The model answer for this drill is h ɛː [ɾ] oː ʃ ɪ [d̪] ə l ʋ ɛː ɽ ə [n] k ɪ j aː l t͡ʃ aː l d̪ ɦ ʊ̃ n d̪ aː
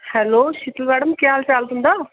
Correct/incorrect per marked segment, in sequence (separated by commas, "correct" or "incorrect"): incorrect, incorrect, incorrect